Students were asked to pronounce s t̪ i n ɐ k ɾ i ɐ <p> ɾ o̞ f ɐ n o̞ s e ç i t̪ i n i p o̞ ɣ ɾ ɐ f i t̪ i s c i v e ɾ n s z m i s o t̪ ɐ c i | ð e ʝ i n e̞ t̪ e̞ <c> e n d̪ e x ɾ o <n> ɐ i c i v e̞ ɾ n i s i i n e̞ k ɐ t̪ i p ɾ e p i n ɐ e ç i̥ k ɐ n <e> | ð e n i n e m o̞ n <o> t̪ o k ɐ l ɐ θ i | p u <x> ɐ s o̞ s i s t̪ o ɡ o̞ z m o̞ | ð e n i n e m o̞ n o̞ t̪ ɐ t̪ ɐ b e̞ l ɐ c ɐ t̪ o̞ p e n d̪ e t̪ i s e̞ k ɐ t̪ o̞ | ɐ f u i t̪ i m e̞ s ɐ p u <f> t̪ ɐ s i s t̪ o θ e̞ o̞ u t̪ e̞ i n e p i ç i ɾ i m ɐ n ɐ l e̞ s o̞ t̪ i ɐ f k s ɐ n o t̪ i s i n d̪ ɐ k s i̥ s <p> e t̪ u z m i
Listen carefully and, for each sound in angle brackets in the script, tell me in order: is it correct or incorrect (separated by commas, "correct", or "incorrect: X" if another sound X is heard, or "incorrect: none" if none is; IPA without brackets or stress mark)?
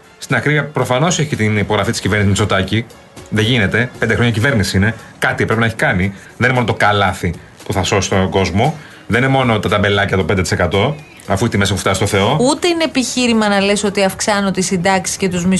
correct, incorrect: p, incorrect: ɲ, incorrect: i, correct, incorrect: θ, correct, incorrect: c